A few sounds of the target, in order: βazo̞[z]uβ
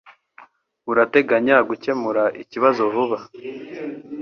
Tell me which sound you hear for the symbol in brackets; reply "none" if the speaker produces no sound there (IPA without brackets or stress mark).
v